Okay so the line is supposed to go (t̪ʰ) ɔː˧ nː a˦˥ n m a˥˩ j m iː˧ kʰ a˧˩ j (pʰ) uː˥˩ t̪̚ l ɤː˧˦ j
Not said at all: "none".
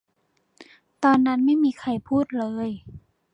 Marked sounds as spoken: t̪, pʰ

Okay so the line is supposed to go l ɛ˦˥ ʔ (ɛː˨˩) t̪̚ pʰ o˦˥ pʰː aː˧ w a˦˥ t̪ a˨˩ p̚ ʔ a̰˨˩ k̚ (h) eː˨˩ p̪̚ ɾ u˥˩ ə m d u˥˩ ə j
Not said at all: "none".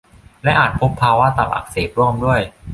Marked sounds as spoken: aː˨˩, s

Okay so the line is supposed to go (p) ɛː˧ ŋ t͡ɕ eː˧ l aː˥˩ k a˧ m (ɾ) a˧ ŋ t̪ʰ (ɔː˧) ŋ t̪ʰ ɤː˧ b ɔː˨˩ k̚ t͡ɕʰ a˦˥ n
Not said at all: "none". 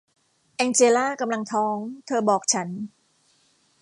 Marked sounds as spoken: ʔ, l, ɔː˦˥

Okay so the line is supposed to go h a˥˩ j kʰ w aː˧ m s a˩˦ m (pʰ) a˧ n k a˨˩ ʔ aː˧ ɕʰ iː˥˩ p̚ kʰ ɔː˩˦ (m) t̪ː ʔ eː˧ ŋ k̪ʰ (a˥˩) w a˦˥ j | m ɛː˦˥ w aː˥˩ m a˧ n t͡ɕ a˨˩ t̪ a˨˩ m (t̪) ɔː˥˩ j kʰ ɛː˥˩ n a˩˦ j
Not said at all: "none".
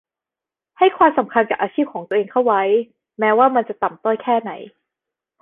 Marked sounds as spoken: kʰ, ŋ, a˥˩, t̪

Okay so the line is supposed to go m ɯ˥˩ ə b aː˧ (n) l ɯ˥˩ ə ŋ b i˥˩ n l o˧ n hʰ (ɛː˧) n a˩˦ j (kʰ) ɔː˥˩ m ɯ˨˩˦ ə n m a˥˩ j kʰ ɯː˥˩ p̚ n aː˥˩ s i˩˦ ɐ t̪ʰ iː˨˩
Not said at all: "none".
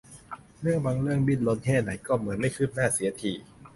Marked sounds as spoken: ŋ, ɛː˥˩, k

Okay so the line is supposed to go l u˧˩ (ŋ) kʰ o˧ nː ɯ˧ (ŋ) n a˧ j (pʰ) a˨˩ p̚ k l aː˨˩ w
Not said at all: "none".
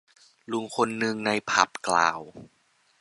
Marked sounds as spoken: ŋ, ŋ, pʰ

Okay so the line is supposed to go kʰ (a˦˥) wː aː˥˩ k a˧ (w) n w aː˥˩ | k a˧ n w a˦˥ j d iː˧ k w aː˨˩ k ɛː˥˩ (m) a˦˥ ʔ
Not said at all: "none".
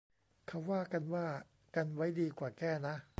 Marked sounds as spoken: a˦˥, none, n

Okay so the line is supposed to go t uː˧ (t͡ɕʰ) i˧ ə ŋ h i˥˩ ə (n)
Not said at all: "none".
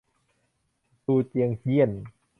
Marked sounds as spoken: t͡ɕ, n

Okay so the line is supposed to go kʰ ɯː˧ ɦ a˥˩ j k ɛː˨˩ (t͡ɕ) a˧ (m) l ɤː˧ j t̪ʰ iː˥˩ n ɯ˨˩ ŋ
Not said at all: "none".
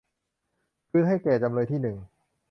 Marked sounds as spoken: t͡ɕ, m

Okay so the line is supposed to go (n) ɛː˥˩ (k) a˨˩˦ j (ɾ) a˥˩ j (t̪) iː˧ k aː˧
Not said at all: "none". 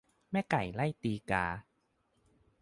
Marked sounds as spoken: m, k, l, t̪

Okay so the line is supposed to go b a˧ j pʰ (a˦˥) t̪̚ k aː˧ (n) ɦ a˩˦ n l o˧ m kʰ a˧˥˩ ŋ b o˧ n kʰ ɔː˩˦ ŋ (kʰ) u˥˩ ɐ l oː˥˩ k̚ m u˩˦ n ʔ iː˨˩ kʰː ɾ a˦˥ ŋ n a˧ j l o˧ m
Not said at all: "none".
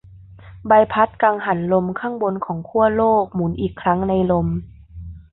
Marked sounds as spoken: a˦˥, ŋ, kʰ

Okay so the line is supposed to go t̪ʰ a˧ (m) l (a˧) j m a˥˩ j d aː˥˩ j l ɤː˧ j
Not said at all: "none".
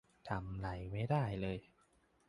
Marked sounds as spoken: m, a˩˦

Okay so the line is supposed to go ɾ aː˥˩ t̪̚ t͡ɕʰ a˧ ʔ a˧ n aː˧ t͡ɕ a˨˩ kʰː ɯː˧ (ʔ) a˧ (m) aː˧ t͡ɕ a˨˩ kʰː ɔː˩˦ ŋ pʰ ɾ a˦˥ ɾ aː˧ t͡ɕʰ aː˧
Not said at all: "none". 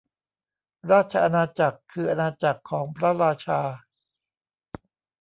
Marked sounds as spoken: ʔ, n

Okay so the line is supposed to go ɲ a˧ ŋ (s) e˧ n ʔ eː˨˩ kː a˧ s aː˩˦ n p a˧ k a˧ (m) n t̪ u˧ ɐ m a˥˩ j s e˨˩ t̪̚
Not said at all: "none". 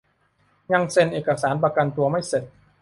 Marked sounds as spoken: s, none

